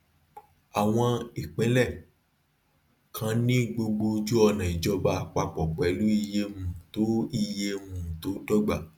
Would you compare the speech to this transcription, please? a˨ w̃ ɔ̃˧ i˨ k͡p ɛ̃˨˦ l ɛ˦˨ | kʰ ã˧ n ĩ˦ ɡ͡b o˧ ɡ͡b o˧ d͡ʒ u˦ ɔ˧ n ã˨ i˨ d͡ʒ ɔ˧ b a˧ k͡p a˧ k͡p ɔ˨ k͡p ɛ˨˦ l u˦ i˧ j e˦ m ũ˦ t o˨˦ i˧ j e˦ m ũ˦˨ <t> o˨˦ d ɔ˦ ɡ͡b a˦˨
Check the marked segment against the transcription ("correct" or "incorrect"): correct